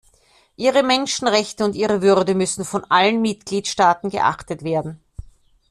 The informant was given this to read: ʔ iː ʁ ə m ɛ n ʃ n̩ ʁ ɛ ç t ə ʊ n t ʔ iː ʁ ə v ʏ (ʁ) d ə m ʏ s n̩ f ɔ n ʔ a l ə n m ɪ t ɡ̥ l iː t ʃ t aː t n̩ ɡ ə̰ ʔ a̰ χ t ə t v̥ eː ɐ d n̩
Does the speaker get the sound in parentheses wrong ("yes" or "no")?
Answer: no